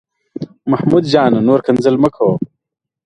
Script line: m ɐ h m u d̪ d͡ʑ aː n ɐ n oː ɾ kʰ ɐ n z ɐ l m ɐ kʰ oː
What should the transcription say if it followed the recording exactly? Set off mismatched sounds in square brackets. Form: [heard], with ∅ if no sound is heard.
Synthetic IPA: m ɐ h m u d̪ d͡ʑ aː n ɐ n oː ɾ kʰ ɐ n z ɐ l m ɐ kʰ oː